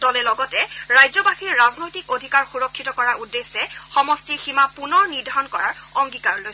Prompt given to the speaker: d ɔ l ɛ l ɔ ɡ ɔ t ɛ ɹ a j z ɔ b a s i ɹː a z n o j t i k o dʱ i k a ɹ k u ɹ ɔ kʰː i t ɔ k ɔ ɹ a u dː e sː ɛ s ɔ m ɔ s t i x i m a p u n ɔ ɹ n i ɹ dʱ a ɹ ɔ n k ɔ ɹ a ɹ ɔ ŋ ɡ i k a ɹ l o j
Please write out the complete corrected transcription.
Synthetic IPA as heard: d ɔ l ɛ l ɔ ɡ ɔ t ɛ ɹ a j z ɔ b a x i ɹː a z n o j t i k o dʱ i k a ɹ x u ɹ ɔ kʰː i t ɔ k ɔ ɹ a u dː e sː ɛ x ɔ m ɔ s t i x i m a p u n ɔ ɹ n i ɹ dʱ a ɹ ɔ n k ɔ ɹ a ɹ ɔ ŋ ɡ i k a ɹ l o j